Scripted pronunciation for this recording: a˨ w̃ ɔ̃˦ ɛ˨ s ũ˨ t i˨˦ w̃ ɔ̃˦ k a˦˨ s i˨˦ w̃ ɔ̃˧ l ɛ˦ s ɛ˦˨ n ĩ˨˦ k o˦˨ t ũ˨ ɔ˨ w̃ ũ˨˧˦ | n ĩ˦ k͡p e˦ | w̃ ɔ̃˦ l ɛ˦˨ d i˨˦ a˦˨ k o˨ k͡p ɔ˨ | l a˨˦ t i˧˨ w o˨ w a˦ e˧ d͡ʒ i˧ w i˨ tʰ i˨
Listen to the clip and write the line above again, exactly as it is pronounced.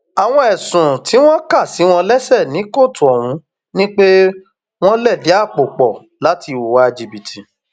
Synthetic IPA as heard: a˨ w̃ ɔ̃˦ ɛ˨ s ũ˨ t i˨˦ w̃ ɔ̃˦ k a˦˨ s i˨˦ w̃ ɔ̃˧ l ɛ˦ s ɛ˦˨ n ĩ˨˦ k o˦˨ t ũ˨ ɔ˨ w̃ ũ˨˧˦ | n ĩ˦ k͡p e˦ | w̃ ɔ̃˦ l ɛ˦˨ d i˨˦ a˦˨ k͡p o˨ k͡p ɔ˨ | l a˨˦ t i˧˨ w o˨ w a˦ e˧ d͡ʒ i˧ b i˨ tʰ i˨